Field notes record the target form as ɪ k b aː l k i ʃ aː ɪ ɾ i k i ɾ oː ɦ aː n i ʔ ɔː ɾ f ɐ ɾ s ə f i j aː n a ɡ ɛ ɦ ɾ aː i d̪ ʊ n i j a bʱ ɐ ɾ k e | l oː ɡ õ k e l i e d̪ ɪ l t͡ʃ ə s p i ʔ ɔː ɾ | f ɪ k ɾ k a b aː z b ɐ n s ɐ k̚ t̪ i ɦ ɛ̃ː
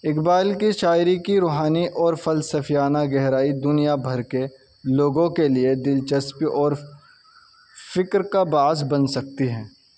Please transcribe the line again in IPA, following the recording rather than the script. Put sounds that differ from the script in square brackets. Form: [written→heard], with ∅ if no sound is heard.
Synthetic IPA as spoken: ɪ k b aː l k i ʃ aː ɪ ɾ i k i ɾ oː ɦ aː n i ʔ ɔː ɾ f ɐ [ɾ→l] s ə f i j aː n a ɡ ɛ ɦ ɾ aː i d̪ ʊ n i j a bʱ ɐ ɾ k e | l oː ɡ õ k e l i e d̪ ɪ l t͡ʃ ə s p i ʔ ɔː ɾ | f ɪ k ɾ k a b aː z b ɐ n s ɐ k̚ t̪ i ɦ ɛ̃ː